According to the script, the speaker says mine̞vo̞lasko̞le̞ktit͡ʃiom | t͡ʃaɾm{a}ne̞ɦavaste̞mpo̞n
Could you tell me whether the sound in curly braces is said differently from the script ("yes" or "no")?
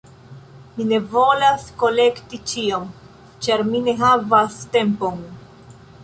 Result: yes